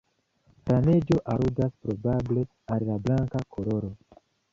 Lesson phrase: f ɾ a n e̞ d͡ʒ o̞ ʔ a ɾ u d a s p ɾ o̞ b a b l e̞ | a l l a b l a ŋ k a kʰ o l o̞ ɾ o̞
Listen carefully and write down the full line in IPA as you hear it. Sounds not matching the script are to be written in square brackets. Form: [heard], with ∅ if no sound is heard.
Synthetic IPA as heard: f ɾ a n e̞ d͡ʒ o̞ ʔ a ɾ u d a s p ɾ o̞ b a b l e̞ | a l l a b l a ŋ k a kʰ o l o̞ ɾ o̞